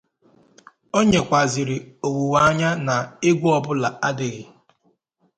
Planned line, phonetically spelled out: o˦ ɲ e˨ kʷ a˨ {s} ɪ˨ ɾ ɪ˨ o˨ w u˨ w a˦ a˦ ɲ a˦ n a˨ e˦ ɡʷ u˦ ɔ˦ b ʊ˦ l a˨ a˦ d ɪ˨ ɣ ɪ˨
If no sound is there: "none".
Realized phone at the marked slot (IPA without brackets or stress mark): z